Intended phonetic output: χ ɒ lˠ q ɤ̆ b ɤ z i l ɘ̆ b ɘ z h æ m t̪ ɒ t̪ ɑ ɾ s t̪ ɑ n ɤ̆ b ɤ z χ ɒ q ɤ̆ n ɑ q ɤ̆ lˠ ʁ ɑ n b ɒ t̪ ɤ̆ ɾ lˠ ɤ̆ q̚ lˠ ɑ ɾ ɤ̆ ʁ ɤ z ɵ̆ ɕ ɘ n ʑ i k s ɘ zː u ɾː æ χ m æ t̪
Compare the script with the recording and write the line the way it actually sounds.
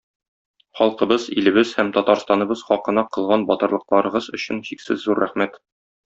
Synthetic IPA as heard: χ ɒ lˠ q ɤ̆ b ɤ z i l ɘ̆ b ɘ z h æ m t̪ ɒ t̪ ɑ ɾ s t̪ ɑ n ɤ̆ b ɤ z χ ɒ q ɤ̆ n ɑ q ɤ̆ lˠ ʁ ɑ n b ɒ t̪ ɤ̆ ɾ lˠ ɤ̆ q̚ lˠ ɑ ɾ ɤ̆ ʁ ɤ z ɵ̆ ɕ ɘ n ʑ i k s ɘ zː u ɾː æ χ m æ t̪